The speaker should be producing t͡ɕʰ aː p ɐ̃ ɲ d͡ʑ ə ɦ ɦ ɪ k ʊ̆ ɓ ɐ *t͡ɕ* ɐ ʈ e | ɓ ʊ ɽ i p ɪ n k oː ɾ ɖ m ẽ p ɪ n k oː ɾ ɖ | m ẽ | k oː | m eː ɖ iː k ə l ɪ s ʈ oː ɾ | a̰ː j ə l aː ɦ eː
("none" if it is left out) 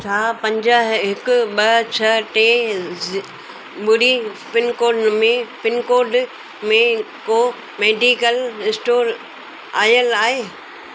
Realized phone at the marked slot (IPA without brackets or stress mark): t͡ɕʰ